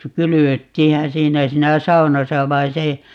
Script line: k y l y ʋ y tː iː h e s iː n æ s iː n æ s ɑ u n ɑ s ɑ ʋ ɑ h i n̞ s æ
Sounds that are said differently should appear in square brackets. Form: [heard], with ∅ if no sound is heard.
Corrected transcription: k y l y ʋ [ø] tː iː h [æ] s iː n æ s iː n æ s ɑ u n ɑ s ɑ ʋ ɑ [∅] i n̞ s [e]